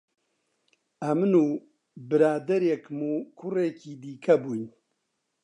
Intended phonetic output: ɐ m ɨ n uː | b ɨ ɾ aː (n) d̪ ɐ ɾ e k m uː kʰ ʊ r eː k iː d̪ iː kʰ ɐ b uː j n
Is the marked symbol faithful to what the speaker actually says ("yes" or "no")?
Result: no